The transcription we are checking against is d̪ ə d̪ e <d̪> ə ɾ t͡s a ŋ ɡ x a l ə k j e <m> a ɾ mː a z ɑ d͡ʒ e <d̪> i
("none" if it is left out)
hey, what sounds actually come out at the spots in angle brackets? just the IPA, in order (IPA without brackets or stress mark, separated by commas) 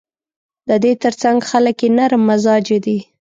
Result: t̪, n, d̪